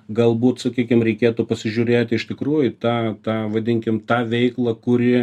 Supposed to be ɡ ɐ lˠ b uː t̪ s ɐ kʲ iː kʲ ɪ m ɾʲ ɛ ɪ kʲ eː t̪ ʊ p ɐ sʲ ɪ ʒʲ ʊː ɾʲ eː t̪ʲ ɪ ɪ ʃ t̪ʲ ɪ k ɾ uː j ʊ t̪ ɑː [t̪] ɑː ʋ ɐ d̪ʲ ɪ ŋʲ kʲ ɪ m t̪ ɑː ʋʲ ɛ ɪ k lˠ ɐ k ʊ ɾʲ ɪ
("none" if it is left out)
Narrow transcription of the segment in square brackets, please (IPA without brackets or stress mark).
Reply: t̪